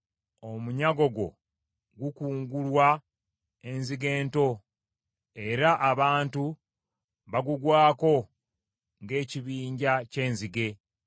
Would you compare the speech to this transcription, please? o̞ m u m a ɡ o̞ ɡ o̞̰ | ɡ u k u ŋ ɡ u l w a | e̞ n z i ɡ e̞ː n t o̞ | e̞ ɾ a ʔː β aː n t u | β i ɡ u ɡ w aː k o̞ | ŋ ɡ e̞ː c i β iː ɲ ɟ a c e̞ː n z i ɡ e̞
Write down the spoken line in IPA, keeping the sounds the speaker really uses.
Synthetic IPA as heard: o̞ m u ɲ a ɡ o̞ ɡ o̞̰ | ɡ u k uː ŋ ɡ u l w a | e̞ n z i ɡ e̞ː n t o̞ | e̞ ɾ a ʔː β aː n t u | β a ɡ u ɡ w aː k o̞ | ŋ ɡ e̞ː c i β iː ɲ ɟ a c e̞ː n z i ɡ e̞